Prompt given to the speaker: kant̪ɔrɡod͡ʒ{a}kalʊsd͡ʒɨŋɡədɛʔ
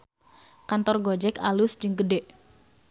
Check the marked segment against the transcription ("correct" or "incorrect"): incorrect